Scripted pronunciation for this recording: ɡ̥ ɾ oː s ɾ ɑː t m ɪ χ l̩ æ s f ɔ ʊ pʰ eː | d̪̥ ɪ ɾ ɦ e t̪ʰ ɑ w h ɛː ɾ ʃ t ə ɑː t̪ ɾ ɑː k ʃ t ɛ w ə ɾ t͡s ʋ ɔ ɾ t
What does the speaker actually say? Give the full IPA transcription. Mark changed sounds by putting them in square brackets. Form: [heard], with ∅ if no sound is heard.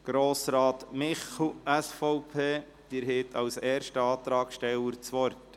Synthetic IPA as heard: ɡ̥ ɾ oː s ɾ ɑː t m ɪ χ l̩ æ s f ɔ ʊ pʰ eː | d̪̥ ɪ ɾ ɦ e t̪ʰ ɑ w [s] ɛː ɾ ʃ t ə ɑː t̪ ɾ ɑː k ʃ t ɛ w ə ɾ t͡s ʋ ɔ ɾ t